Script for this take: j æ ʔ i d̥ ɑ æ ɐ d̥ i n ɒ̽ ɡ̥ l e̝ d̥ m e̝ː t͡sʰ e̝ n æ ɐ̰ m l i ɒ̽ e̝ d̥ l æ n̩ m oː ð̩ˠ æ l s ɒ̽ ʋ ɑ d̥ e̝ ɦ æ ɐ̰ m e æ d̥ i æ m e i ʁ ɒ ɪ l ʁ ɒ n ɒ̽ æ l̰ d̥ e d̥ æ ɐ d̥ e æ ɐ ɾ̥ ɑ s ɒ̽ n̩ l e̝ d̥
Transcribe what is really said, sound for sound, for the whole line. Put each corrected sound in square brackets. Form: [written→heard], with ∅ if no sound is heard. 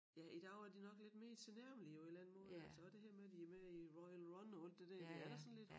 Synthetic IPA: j æ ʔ i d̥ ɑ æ ɐ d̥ i n ɒ̽ ɡ̥ l e̝ d̥ m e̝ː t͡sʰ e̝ n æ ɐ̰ m l i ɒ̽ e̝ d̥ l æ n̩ m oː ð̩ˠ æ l s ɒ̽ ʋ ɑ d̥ e̝ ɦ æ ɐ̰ m e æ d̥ i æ m e i ʁ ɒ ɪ l ʁ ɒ n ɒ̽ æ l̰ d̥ e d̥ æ ɐ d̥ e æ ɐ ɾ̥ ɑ s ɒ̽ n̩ l e̝ d̥